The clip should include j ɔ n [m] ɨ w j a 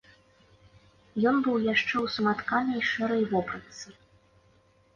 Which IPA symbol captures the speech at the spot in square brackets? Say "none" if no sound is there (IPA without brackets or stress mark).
b